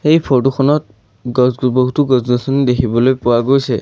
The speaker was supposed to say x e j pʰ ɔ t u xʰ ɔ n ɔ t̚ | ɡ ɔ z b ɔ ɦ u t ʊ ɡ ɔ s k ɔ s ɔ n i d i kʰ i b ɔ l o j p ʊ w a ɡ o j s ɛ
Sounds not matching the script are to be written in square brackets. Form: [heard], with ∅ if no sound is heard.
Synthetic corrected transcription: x e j pʰ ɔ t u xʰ ɔ n ɔ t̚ | ɡ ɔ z b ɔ ɦ u t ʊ ɡ ɔ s [ɡ] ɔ s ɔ n i d [e] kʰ i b ɔ l o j p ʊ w a ɡ o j s ɛ